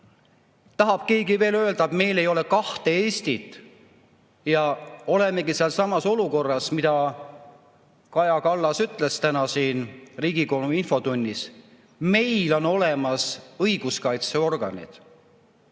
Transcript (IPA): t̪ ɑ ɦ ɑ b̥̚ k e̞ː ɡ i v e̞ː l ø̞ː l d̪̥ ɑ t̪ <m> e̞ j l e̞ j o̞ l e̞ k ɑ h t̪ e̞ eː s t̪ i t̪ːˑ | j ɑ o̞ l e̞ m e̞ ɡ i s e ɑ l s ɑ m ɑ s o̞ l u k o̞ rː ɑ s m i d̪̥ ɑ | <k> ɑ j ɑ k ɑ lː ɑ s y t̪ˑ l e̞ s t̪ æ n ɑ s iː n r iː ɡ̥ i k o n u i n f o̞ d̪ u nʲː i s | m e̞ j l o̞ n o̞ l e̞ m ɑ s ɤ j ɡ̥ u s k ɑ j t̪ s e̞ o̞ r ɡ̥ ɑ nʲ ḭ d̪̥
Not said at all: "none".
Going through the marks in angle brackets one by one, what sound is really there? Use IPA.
m, k

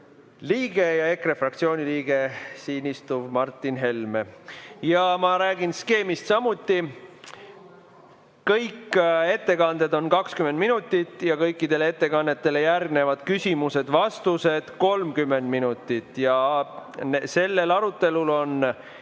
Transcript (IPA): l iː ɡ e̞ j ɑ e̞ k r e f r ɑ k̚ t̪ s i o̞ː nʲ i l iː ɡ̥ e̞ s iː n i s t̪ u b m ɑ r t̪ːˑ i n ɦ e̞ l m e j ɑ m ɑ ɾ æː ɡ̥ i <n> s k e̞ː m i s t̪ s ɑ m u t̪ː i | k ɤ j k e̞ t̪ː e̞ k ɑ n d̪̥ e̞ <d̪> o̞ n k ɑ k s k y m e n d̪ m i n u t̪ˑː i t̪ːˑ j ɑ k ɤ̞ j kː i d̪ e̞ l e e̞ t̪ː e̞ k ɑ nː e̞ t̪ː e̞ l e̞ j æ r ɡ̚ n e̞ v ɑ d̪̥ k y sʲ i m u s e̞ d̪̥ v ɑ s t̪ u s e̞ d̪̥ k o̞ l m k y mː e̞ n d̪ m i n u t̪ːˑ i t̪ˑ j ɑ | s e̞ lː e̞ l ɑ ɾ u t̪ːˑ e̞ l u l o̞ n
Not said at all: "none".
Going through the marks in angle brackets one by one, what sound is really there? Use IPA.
n, d̪

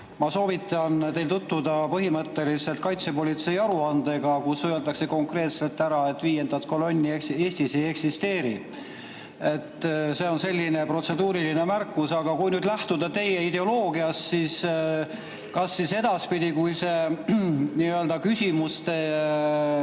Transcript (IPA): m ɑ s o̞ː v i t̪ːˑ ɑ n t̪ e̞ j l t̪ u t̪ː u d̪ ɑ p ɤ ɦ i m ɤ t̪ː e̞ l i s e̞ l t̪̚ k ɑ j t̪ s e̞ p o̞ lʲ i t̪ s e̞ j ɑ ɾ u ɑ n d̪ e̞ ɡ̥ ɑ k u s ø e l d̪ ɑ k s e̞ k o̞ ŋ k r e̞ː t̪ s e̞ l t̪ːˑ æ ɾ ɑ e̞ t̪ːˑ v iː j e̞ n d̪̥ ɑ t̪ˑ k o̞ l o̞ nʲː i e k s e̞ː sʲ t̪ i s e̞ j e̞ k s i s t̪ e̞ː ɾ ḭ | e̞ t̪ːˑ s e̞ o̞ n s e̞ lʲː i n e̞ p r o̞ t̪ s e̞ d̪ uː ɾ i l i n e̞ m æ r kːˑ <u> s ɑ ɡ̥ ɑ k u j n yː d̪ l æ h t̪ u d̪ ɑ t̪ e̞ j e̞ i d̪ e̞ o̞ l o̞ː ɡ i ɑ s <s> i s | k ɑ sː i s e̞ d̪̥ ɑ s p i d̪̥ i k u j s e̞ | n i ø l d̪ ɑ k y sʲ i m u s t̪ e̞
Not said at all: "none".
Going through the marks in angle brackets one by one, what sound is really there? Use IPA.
u, s

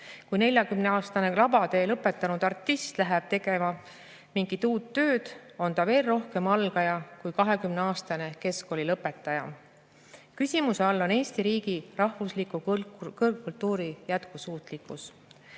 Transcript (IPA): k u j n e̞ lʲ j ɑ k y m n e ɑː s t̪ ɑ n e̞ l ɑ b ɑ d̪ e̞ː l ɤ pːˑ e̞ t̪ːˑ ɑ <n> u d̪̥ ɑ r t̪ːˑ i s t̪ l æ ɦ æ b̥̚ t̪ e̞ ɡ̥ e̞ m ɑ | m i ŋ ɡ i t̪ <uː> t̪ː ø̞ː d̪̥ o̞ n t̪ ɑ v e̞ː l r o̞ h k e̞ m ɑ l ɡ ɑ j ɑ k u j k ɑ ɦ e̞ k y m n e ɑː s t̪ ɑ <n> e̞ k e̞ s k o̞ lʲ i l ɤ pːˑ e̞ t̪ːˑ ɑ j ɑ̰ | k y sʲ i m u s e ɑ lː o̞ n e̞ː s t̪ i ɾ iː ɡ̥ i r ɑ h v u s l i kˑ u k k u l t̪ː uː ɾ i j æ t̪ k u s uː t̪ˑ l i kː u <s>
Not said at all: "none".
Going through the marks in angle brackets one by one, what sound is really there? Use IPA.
n, uː, n, s

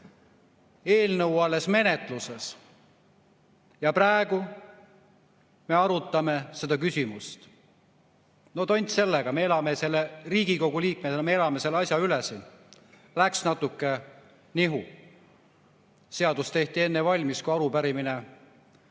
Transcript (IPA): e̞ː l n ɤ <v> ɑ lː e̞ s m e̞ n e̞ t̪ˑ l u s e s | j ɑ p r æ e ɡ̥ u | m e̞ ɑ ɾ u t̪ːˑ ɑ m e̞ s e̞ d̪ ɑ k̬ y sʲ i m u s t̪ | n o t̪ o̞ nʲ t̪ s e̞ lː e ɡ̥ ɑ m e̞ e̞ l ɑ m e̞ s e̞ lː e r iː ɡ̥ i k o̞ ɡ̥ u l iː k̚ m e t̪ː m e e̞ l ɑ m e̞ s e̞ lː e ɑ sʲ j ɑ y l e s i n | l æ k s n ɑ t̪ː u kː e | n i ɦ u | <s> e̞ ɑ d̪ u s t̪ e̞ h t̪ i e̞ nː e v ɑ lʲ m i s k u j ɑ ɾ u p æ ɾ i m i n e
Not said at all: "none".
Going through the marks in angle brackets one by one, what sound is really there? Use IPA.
w, s

